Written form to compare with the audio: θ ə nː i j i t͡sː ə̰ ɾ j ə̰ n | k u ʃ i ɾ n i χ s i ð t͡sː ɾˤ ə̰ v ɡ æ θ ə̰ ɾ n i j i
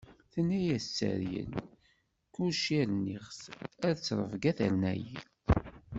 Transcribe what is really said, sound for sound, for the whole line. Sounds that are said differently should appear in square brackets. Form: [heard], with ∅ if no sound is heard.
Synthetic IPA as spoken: θ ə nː [æ] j [æ] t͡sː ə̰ ɾ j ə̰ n | k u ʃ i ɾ n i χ s [æ] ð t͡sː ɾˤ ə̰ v ɡ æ θ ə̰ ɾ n [æ] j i